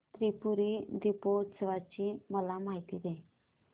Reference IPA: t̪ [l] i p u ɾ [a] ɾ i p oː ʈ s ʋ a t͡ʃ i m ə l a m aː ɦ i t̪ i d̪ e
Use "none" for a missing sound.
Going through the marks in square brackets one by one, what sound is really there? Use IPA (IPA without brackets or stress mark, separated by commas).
ɾ, i